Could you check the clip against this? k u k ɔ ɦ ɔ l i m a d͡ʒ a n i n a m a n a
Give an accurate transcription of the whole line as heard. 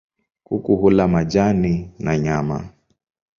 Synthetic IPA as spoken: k u k u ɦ u l a m a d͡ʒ a n i n a ɲ a m a

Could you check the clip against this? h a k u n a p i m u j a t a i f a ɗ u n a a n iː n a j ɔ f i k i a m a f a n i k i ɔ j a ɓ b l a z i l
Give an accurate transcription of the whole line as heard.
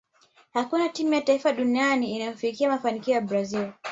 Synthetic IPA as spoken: h a k u n a t i m u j a t a i f a ɗ u n i a n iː n a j ɔ f i k i a m a f a n i k i ɔ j a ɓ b ɾ a z i l

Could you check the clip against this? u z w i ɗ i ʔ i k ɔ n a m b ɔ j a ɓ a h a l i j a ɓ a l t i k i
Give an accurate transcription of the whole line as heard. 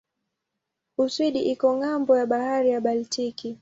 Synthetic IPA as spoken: u s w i ɗ i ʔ i k ɔ ŋ a m b ɔ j a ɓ a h a ɾ i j a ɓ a l t i k i

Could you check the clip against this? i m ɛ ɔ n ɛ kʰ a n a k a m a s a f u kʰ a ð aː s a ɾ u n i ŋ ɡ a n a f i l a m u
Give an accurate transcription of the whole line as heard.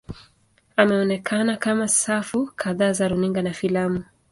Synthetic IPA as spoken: a m ɛ ɔ n ɛ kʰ a n a k a m a s a f u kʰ a ð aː z a ɾ u n i ŋ ɡ a n a f i l a m u

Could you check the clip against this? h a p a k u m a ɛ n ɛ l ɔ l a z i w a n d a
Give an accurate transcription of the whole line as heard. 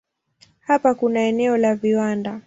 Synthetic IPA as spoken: h a p a k u n a ɛ n ɛ ɔ l a v i w a n d a

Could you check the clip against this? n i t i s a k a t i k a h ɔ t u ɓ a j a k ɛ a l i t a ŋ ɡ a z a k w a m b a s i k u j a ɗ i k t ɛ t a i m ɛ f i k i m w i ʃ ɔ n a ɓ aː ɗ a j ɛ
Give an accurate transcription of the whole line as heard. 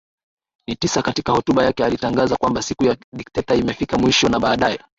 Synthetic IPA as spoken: n i t i s a k a t i k a h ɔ t u ɓ a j a k ɛ a l i t a ŋ ɡ a z a k w a m b a s i k u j a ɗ i k t ɛ t a i m ɛ f i k a m w i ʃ ɔ n a ɓ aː ɗ a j ɛ

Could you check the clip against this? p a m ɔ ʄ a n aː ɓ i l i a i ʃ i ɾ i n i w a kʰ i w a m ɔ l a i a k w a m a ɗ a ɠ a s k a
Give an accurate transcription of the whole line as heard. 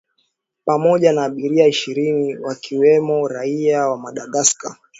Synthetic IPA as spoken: p a m ɔ ʄ a n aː ɓ i ɾ i a i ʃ i ɾ i n i w a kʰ i w ɛ m ɔ ɾ a i a w a m a ɗ a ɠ a s k a

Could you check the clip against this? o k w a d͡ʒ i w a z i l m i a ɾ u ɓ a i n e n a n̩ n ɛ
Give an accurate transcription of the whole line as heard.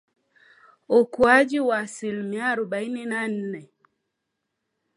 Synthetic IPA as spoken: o k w a d͡ʒ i w a s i l m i a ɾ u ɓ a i n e n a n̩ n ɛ

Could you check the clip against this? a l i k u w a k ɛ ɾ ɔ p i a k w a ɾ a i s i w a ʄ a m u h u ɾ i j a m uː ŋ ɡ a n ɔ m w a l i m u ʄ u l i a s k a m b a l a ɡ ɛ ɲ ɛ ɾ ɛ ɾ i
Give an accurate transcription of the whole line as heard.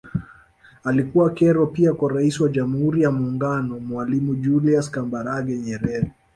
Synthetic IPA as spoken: a l i k u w a k ɛ ɾ ɔ p i a k w a ɾ a i s i w a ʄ a m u h u ɾ i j a m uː ŋ ɡ a n ɔ m w a l i m u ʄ u l i a s k a m b a ɾ a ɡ ɛ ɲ ɛ ɾ ɛ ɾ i

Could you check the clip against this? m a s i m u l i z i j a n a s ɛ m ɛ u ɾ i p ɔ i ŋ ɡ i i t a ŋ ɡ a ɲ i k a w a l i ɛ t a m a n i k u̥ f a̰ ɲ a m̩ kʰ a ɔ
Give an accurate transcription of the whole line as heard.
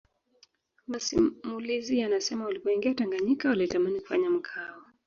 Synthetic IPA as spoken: m a s i m u l i z i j a n a s ɛ m a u l i p ɔ i ŋ ɡ i a t a ŋ ɡ a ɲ i k a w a l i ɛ t a m a n i k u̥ f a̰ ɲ a m̩ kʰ a ɔ

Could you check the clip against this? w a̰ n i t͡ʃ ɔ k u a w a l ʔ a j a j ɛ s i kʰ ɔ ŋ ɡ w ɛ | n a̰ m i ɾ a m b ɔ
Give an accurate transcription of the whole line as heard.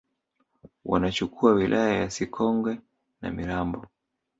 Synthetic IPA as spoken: w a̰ n a t͡ʃ u k u a w i l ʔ a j a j a s i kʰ ɔ ŋ ɡ w ɛ | n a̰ m i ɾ a m b ɔ

